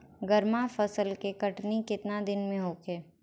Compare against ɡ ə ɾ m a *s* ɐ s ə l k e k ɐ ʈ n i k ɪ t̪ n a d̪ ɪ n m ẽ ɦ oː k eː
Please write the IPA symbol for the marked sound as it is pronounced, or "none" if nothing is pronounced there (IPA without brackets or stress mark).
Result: f